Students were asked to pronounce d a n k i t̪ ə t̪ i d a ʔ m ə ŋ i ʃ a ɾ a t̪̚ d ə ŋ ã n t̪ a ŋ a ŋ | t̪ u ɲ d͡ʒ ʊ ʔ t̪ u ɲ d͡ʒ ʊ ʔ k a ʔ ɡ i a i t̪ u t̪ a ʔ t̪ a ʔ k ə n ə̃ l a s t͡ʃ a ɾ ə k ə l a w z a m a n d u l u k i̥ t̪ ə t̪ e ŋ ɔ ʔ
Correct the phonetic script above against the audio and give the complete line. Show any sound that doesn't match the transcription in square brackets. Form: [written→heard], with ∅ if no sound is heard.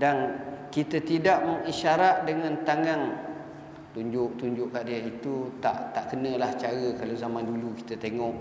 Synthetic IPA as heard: d a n k i t̪ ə t̪ i d a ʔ m ə ŋ i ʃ a ɾ a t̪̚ d ə ŋ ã n t̪ a ŋ a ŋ | t̪ u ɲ d͡ʒ ʊ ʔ t̪ u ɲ d͡ʒ ʊ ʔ k a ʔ [ɡ→d] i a i t̪ u t̪ a ʔ t̪ a ʔ k ə n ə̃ l a [s→h] t͡ʃ a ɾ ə k [ə→a] l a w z a m a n d u l u k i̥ t̪ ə t̪ e ŋ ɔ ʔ